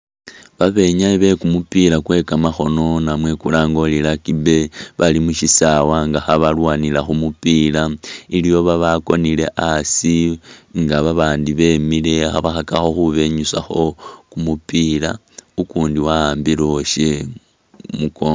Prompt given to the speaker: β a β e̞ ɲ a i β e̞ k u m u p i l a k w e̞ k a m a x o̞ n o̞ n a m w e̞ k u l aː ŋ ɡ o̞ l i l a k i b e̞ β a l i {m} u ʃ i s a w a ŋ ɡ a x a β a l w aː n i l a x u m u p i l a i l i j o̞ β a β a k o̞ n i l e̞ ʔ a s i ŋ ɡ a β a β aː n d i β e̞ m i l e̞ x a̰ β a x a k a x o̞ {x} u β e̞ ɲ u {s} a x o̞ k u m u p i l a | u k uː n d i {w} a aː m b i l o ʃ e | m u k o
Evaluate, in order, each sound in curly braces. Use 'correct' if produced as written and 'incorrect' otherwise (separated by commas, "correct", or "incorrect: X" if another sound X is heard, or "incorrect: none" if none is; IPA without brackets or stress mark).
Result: correct, correct, correct, correct